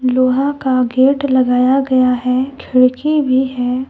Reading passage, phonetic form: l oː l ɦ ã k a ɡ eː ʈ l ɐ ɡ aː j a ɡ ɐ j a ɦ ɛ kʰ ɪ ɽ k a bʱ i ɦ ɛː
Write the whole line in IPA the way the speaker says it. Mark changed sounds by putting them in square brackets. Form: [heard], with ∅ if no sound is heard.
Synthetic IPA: l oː [∅] ɦ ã k a ɡ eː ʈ l ɐ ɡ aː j a ɡ ɐ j a ɦ ɛ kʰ ɪ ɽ k [i] bʱ i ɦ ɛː

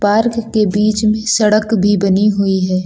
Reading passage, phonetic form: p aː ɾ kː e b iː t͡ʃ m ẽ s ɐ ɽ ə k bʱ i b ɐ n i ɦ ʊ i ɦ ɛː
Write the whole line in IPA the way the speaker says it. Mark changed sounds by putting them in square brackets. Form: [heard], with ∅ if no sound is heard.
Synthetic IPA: p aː ɾ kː e b iː t͡ʃ m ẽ s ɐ ɽ ə k bʱ i b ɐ n i ɦ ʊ i ɦ ɛː

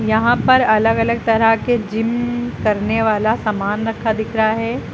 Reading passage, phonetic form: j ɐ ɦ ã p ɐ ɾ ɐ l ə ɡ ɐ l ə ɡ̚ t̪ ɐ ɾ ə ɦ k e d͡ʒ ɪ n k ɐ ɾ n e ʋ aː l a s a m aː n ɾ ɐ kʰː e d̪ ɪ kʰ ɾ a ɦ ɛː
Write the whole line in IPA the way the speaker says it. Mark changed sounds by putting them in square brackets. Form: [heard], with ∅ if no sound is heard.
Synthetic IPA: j ɐ ɦ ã p ɐ ɾ ɐ l ə ɡ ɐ l ə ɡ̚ t̪ ɐ ɾ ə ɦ k e d͡ʒ ɪ [m] k ɐ ɾ n e ʋ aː l a s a m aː n ɾ ɐ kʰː [a] d̪ ɪ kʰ ɾ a ɦ ɛː

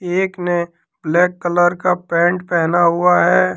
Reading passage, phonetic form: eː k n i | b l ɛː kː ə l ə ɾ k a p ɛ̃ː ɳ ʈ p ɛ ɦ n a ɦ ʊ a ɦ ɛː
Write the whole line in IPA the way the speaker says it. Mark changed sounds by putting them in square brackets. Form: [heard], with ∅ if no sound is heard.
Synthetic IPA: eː k n [e] | b l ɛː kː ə l ə ɾ k a p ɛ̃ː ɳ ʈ p ɛ ɦ n a ɦ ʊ a ɦ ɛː

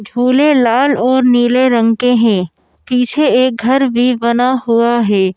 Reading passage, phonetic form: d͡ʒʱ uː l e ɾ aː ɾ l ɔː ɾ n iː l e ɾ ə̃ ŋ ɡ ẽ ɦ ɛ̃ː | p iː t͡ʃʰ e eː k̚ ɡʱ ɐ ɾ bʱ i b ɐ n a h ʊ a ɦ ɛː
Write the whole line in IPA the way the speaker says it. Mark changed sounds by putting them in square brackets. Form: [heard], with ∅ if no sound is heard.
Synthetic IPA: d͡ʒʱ uː l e [l] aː [∅] l ɔː ɾ n iː l e ɾ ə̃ ŋ [k] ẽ ɦ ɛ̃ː | p iː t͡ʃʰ e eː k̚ ɡʱ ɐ ɾ bʱ i b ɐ n a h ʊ a ɦ ɛː

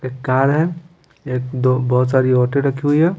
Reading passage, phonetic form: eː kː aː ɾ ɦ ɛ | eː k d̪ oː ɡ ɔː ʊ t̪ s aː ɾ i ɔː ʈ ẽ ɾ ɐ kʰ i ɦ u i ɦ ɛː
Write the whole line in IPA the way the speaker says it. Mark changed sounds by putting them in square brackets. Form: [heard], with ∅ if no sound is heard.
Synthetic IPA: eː kː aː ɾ ɦ ɛ | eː k d̪ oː [b] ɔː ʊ t̪ s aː ɾ i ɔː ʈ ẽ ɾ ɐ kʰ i ɦ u i ɦ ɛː

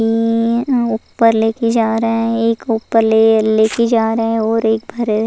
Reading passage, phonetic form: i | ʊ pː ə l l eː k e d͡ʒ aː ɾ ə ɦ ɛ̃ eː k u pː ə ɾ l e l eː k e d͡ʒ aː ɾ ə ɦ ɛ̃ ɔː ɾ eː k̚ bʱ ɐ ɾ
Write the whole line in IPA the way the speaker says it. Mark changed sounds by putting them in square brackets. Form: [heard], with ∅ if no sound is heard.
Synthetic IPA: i | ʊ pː ə [ɾ] l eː k e d͡ʒ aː ɾ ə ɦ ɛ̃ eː k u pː ə ɾ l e l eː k e d͡ʒ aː ɾ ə ɦ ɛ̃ ɔː ɾ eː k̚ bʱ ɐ ɾ

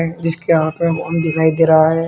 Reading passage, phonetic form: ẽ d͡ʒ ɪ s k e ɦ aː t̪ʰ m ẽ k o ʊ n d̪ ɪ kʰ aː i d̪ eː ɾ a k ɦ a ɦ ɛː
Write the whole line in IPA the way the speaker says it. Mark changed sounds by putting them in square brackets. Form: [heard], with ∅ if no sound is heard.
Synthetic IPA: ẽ d͡ʒ ɪ s k e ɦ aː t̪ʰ m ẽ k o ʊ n d̪ ɪ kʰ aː i d̪ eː ɾ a [∅] ɦ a ɦ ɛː

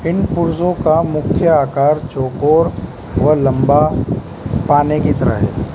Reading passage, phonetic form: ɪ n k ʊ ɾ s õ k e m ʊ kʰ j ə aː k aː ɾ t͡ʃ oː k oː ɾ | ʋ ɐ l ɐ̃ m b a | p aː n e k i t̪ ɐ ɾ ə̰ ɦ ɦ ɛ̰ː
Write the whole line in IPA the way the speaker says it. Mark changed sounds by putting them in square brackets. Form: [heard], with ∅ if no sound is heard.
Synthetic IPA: ɪ n [p] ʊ ɾ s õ k [a] m ʊ kʰ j ə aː k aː ɾ t͡ʃ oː k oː ɾ | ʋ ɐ l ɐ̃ m b a | p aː n e k i t̪ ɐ ɾ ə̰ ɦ ɦ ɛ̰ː

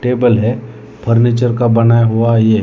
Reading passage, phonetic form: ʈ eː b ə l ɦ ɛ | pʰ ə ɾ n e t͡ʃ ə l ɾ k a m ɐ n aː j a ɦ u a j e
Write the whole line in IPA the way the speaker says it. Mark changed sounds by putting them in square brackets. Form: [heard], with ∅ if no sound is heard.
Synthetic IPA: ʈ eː b ə l ɦ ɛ | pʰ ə ɾ n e t͡ʃ ə [∅] ɾ k a [b] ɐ n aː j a ɦ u a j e

